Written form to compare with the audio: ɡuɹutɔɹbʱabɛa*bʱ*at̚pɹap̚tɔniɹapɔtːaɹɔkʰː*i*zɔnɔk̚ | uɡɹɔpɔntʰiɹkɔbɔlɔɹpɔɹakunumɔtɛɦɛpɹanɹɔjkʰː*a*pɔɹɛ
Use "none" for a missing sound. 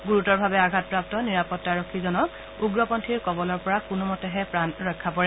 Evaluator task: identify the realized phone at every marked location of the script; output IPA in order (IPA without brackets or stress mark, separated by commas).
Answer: ɡʱ, i, a